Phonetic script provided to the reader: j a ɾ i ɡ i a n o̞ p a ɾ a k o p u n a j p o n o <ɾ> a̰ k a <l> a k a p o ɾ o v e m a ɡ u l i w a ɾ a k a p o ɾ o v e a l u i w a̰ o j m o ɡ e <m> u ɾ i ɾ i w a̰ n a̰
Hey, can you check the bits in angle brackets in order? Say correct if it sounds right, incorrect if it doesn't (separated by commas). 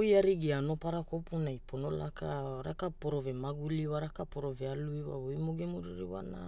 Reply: incorrect, incorrect, correct